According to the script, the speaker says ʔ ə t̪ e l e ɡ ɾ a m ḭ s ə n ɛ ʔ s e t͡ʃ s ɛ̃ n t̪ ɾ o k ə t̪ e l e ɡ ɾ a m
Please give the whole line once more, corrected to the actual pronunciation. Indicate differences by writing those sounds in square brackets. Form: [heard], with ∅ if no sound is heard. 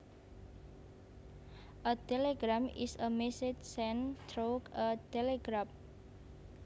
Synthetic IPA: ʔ ə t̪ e l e ɡ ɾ a m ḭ s ə [m] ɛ [∅] s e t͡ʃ s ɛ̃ n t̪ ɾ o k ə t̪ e l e ɡ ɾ a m